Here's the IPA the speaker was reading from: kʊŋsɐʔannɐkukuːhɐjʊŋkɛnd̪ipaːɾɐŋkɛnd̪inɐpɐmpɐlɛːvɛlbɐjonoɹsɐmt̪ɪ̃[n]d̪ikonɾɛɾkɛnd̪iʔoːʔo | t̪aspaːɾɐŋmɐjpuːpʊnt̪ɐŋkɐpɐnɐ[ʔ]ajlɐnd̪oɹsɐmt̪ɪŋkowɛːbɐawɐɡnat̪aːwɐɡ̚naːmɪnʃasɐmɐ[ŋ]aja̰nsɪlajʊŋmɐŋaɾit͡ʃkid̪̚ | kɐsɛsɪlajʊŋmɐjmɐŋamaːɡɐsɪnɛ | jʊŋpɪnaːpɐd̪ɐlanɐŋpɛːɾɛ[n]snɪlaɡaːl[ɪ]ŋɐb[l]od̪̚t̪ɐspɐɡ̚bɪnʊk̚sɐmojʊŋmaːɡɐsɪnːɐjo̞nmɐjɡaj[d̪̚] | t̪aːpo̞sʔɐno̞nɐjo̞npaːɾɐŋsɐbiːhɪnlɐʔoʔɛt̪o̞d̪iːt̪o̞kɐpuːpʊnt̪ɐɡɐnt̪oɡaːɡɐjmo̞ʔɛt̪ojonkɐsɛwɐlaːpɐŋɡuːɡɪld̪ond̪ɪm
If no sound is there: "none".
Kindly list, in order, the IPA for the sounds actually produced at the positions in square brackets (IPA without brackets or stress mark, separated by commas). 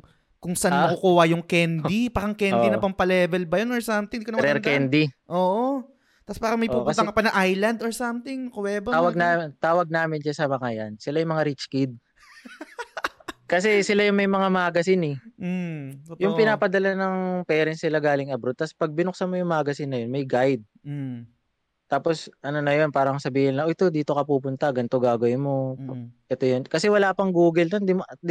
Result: ŋ, ʔ, ŋ, n, ɪ, ɾ, d̪̚